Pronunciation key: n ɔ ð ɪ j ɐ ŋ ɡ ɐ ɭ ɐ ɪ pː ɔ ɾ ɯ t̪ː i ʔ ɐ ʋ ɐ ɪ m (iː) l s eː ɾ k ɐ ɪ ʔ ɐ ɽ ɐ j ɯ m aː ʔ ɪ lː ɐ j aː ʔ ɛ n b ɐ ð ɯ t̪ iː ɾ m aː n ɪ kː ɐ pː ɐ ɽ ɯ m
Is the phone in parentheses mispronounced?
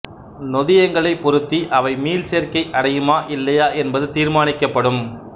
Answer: no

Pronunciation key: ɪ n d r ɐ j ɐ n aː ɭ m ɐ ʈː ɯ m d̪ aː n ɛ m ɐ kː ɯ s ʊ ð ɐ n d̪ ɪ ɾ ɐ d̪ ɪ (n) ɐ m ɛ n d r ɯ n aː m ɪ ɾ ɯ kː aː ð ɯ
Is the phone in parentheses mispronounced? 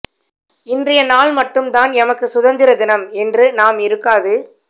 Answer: no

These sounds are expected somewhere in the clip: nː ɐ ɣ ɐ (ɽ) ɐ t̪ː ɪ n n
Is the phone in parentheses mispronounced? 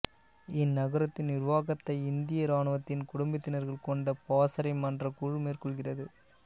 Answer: yes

